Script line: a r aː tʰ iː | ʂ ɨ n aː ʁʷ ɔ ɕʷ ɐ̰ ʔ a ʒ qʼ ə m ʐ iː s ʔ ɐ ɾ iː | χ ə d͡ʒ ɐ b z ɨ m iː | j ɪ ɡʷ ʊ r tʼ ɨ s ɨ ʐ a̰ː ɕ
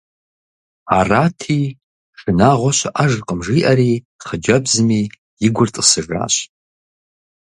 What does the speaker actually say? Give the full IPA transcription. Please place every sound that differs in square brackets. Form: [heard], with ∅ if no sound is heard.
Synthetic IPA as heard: a r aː tʰ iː | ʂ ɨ n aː ʁʷ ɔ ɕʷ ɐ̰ ʔ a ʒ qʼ ə m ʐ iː [∅] ʔ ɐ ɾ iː | χ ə d͡ʒ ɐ b z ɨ m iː | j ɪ ɡʷ ʊ r tʼ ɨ s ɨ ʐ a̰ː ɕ